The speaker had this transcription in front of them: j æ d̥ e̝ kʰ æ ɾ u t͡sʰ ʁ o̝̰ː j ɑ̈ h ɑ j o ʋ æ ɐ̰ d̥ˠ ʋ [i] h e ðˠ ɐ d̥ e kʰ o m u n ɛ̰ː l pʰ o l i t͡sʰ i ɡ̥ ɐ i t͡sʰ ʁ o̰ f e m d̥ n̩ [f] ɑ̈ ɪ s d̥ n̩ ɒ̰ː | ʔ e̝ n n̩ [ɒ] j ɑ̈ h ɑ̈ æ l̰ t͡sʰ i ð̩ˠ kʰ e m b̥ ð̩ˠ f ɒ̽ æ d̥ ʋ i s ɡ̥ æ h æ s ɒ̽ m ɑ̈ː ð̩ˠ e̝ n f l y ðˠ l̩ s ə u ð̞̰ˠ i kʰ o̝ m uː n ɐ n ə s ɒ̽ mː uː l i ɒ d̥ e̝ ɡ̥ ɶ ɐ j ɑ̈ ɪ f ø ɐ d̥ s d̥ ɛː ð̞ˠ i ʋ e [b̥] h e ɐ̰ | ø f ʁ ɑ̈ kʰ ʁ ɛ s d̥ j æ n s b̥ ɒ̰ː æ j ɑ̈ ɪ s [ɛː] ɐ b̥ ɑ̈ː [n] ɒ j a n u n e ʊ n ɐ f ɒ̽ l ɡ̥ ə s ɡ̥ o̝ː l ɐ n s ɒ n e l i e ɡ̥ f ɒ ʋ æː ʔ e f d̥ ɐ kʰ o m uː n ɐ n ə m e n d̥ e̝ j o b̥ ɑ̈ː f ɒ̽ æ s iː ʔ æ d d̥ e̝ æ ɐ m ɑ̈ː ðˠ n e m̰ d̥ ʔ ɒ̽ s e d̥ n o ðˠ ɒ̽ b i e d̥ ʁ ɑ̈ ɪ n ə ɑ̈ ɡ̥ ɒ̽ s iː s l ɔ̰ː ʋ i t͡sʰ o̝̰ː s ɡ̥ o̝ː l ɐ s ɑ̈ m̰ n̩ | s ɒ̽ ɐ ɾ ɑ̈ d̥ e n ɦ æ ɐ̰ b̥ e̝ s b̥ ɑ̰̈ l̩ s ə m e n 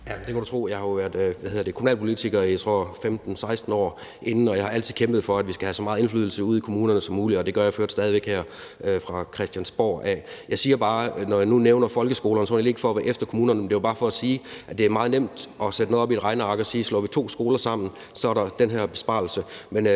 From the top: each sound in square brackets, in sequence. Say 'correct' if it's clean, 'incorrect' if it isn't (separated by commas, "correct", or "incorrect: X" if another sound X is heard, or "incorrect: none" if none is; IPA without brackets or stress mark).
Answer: incorrect: æ, incorrect: s, correct, incorrect: ɡ̥, incorrect: iː, correct